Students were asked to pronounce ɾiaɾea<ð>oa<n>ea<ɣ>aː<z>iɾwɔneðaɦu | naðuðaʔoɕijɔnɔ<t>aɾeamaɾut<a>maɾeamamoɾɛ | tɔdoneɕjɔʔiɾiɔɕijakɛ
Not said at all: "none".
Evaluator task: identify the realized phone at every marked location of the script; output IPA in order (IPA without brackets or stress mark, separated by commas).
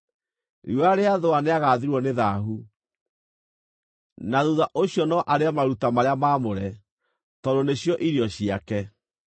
ð, n, ɣ, ð, ʔ, a